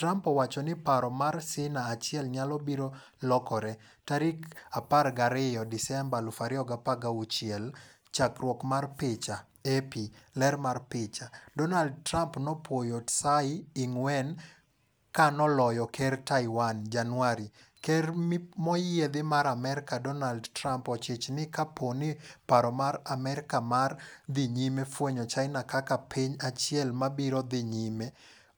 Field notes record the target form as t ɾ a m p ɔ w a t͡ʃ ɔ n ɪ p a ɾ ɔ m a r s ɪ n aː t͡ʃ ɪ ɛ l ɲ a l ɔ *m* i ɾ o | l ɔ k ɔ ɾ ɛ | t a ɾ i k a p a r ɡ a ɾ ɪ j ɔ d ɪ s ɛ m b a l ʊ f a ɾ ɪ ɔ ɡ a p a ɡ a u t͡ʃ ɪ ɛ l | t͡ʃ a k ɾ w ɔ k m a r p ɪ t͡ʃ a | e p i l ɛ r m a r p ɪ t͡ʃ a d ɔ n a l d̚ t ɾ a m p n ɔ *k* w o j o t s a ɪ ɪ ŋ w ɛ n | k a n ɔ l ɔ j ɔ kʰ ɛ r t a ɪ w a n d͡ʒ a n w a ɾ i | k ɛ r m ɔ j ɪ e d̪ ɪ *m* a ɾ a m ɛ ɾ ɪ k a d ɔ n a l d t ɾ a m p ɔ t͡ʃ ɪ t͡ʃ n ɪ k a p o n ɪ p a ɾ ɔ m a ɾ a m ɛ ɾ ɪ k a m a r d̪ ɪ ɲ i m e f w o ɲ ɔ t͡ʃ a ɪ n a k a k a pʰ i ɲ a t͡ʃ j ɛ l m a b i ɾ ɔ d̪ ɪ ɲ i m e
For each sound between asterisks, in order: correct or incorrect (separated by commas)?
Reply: incorrect, incorrect, correct